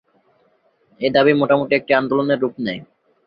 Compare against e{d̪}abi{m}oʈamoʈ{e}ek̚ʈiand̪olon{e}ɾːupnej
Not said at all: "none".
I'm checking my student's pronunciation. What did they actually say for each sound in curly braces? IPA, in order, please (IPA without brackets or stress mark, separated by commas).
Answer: d̪, m, i, e